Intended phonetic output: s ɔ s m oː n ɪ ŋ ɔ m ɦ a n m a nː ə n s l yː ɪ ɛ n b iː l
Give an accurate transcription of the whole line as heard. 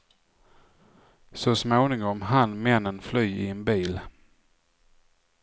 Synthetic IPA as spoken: s ɔ s m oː n ɪ ŋ ɔ m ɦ a n m ɛ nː ə n f l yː ɪ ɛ n b iː l